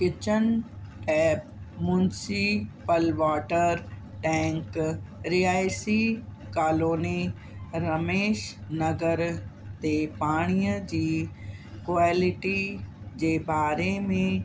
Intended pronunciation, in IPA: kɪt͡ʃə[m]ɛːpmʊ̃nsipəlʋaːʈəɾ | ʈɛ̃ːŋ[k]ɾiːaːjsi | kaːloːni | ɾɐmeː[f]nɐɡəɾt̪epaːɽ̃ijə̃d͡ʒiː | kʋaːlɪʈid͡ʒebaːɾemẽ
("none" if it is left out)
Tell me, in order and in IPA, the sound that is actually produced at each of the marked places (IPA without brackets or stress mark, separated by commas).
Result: n, k, ʃ